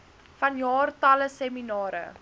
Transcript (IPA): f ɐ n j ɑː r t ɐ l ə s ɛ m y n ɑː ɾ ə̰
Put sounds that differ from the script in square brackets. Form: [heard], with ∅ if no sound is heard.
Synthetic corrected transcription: f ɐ n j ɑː r t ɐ l ə s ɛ m [i] n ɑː ɾ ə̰